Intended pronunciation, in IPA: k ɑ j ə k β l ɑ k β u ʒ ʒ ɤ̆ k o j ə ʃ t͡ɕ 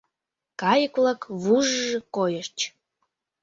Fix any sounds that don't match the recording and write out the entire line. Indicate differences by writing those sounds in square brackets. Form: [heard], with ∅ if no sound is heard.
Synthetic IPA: k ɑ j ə k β l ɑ k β u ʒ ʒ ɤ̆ k o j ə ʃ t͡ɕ